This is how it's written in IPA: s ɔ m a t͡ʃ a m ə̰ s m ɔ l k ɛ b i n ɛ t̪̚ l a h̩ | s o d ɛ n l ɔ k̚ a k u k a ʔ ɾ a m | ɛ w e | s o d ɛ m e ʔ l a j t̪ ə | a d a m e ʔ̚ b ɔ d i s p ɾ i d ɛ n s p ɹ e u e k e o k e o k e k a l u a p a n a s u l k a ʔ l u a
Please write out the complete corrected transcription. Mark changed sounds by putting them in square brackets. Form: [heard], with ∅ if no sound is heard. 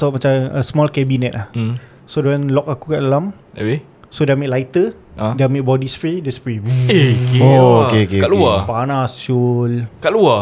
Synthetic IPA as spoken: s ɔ m a t͡ʃ a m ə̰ s m ɔ l k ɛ b i n ɛ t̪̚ l a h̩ | s o d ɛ n l ɔ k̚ a k u k a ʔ [l] a m | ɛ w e | s o d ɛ m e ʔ l a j t̪ ə | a d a m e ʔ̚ b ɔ d i s p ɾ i d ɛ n s p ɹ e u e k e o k e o k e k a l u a p a n a s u l k a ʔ l u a